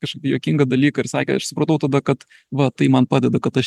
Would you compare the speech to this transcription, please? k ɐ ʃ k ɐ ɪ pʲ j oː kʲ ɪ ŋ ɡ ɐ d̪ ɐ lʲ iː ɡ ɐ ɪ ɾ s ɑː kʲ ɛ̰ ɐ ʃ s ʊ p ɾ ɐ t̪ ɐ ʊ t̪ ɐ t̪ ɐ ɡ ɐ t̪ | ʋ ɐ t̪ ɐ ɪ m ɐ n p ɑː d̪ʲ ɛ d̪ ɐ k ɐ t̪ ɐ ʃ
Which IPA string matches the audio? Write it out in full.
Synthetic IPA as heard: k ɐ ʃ k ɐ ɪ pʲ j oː kʲ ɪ ŋ ɡ ɐ d̪ ɐ lʲ iː k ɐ ɪ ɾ s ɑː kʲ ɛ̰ ɐ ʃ s ʊ p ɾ ɐ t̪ ɐ ʊ t̪ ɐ d̪ ɐ k ɐ t̪ | ʋ ɐ t̪ ɐ ɪ m ɐ n p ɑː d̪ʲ ɛ d̪ ɐ k ɐ t̪ ɐ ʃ